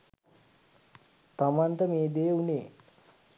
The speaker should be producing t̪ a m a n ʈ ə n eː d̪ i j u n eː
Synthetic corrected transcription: t̪ a m a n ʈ ə m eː d̪ e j u n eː